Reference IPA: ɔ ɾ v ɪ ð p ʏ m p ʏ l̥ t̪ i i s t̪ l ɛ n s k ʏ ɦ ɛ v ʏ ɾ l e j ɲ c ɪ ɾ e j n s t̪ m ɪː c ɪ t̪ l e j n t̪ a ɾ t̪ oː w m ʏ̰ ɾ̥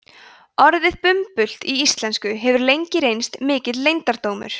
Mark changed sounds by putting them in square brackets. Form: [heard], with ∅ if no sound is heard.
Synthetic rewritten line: ɔ ɾ [ð] ɪ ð p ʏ m p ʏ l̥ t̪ i i s t̪ l ɛ n s k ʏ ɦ ɛ v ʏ ɾ l e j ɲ c ɪ ɾ e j n s t̪ m ɪː c ɪ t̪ l e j n t̪ a ɾ t̪ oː w m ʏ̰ ɾ̥